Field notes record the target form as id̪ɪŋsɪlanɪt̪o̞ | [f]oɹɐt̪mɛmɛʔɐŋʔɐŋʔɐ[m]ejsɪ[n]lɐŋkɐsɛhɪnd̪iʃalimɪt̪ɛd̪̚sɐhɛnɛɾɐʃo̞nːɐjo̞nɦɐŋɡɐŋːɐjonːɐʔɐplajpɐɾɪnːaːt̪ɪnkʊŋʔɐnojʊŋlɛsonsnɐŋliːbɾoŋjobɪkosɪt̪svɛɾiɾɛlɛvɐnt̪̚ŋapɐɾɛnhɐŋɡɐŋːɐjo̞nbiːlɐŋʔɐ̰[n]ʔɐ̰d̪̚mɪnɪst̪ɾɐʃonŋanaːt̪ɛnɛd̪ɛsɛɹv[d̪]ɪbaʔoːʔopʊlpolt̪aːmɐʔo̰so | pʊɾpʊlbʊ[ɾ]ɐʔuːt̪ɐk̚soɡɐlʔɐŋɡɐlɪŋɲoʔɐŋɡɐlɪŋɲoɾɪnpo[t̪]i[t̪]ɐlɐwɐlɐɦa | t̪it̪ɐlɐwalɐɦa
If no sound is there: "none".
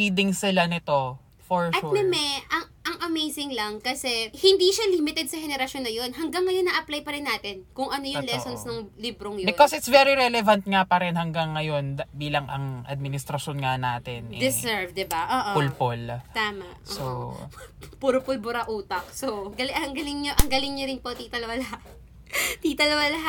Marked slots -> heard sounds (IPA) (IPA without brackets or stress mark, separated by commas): f, m, ŋ, ŋ, d̪, ɾ, t̪, t̪